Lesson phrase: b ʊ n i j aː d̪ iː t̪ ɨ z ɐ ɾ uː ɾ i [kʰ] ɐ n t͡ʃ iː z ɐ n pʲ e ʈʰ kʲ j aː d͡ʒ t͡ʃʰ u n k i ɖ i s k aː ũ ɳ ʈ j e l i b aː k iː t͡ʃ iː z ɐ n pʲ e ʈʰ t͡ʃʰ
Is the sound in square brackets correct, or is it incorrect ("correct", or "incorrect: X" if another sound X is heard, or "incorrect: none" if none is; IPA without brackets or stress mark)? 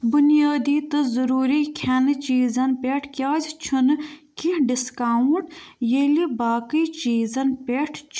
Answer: correct